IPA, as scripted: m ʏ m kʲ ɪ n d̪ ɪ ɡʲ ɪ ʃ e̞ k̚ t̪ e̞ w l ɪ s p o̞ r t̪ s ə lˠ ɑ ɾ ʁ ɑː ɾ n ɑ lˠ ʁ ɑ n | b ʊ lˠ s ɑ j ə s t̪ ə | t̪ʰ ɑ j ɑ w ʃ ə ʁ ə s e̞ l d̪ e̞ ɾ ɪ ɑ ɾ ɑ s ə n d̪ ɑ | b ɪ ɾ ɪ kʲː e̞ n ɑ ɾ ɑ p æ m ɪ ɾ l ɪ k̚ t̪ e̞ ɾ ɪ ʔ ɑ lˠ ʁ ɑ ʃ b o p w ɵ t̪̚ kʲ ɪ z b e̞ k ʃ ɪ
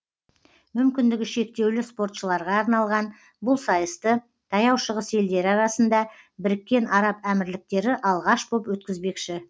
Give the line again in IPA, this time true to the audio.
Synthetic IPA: m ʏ m kʲ ɪ n d̪ ɪ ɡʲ ɪ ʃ e̞ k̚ t̪ e̞ w l ɪ s p o̞ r t̪ ʃ ə lˠ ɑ ɾ ʁ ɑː ɾ n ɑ lˠ ʁ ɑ n | b ʊ lˠ s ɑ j ə s t̪ ə | t̪ʰ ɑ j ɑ w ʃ ə ʁ ə s e̞ l d̪ e̞ ɾ ɪ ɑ ɾ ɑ s ə n d̪ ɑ | b ɪ ɾ ɪ kʲː e̞ n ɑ ɾ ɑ p æ m ɪ ɾ l ɪ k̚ t̪ e̞ ɾ ɪ ʔ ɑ lˠ ʁ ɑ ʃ b o p w ɵ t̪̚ kʲ ɪ z b e̞ k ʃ ɪ